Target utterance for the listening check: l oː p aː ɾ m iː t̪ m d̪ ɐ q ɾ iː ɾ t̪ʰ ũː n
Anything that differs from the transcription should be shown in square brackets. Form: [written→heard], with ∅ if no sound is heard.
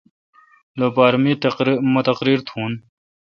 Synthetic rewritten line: l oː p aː ɾ m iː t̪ m [d̪→t̪] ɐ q ɾ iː ɾ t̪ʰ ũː n